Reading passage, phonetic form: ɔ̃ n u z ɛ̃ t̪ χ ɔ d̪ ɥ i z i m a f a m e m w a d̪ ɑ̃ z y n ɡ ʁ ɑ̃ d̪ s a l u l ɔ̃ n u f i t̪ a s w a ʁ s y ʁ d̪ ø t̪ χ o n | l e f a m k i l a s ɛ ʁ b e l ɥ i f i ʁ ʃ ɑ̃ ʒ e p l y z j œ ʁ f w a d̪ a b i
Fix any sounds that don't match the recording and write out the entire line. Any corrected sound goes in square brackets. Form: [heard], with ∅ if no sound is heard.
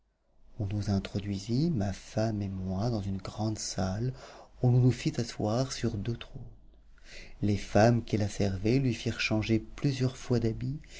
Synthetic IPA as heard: ɔ̃ n u z ɛ̃ t̪ χ ɔ d̪ ɥ i z i m a f a m e m w a d̪ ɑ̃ z y n ɡ ʁ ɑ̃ d̪ s a l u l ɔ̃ n u f i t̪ a s w a ʁ s y ʁ d̪ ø t̪ χ o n | l e f a m k i l a s ɛ ʁ [v] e l ɥ i f i ʁ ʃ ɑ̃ ʒ e p l y z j œ ʁ f w a d̪ a b i

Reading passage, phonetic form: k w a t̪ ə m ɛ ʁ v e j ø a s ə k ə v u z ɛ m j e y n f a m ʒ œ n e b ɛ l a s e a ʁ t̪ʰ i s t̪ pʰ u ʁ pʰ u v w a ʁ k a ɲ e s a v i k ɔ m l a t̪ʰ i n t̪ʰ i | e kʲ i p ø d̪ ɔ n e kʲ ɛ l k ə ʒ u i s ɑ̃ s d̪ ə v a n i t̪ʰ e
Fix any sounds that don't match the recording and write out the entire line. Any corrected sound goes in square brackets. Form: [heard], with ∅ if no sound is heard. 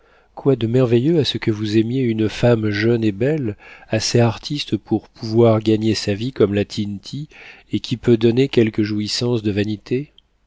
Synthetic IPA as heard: k w a [d̪] ə m ɛ ʁ v e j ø a s ə k ə v u z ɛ m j e y n f a m ʒ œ n e b ɛ l a s e a ʁ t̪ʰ i s t̪ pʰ u ʁ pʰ u v w a ʁ [ɡ] a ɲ e s a v i k ɔ m l a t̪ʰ i n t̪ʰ i | e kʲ i p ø d̪ ɔ n e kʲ ɛ l k ə ʒ u i s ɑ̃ s d̪ ə v a n i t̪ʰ e

